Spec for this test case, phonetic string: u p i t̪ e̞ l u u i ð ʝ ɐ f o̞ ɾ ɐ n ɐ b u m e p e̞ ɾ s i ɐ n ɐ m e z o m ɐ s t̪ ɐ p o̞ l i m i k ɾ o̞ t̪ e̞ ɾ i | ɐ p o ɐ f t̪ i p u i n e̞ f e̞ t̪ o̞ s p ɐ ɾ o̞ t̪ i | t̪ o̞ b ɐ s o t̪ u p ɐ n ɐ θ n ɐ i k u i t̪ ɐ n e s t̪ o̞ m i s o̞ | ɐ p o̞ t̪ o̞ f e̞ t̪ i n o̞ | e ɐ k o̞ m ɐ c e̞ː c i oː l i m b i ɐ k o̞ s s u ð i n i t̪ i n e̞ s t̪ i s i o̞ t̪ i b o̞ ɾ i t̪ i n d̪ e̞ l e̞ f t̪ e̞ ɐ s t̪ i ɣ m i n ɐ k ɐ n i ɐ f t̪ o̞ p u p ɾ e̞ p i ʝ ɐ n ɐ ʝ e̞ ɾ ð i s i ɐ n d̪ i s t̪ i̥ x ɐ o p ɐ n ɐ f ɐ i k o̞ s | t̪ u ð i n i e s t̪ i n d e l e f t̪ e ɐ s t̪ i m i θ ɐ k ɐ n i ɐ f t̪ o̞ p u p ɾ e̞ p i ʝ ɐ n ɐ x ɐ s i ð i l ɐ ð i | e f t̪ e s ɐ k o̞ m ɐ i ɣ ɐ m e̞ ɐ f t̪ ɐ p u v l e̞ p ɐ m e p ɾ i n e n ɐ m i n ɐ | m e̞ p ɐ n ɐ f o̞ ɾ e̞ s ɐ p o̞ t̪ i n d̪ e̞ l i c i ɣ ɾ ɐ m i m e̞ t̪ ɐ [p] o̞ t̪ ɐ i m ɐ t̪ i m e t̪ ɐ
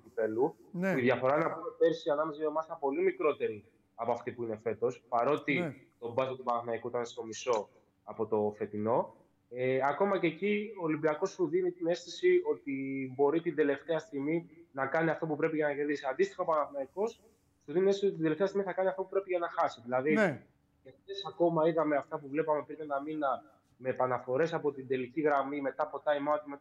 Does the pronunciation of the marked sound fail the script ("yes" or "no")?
no